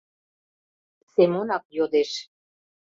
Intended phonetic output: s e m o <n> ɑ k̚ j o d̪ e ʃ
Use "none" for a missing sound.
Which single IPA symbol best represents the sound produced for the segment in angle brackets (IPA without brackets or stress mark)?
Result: n